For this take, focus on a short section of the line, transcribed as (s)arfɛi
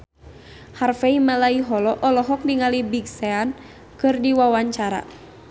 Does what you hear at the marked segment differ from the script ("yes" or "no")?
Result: yes